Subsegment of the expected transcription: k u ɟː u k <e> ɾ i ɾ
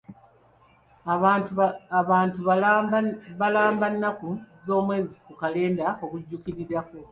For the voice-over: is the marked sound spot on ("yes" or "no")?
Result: no